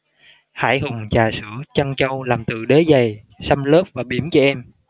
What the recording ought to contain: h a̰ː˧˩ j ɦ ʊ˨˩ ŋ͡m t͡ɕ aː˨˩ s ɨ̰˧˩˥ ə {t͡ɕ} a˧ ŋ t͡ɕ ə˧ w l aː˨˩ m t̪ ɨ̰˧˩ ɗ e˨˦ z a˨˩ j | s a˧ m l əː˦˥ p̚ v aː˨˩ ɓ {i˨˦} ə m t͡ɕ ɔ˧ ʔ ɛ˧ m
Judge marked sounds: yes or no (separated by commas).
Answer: yes, no